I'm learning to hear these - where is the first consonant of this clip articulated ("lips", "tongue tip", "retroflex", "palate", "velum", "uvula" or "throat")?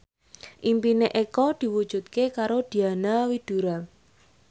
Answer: throat